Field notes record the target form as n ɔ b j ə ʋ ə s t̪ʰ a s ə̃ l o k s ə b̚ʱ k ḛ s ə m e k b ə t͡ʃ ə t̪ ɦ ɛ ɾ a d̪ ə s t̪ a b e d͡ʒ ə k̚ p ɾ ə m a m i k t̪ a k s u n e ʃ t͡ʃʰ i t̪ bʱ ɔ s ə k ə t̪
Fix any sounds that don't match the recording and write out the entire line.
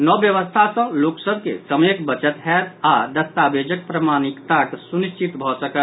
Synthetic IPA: n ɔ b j ə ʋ ə s t̪ʰ a s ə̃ l o k s ə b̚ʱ k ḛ s ə m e k b ə t͡ʃ ə t̪ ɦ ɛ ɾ a d̪ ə s t̪ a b e d͡ʒ ə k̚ p ɾ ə m a n i k t̪ a k s u n i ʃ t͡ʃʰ i t̪ bʱ ɔ s ə k ə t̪